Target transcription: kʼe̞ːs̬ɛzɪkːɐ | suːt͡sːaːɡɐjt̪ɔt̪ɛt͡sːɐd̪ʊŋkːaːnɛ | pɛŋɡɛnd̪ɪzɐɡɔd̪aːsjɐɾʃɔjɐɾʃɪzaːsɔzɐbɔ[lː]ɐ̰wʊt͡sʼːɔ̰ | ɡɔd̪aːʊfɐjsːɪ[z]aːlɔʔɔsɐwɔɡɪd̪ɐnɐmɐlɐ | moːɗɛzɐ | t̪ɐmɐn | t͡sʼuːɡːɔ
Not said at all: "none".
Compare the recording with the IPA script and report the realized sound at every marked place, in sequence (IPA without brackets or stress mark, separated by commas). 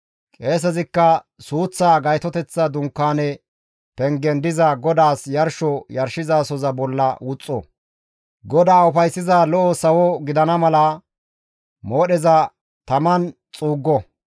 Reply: lː, z